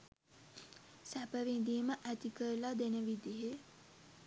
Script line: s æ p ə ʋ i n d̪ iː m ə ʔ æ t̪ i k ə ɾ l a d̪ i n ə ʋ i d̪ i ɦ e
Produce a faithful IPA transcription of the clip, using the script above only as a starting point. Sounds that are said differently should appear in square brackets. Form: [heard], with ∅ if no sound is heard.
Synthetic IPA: s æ p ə ʋ i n d̪ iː m ə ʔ æ t̪ i k ə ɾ l a d̪ [e] n ə ʋ i d̪ i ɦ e